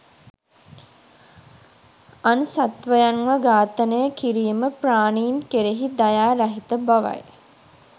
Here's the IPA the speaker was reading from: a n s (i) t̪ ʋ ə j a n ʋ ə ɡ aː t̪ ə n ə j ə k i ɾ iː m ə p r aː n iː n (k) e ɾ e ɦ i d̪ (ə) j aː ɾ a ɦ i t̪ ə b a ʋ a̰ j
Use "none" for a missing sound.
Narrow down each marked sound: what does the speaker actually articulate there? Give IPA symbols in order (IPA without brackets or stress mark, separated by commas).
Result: a, k, a